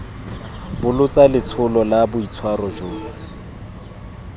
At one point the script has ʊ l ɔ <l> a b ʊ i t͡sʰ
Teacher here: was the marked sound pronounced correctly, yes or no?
yes